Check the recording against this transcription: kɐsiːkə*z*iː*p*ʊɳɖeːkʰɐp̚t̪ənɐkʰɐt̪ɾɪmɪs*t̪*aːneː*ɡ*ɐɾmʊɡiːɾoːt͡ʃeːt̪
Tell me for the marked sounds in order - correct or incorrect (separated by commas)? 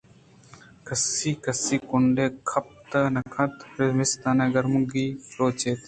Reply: incorrect, incorrect, correct, correct